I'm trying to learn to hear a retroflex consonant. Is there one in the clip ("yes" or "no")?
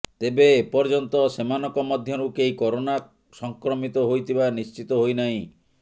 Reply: no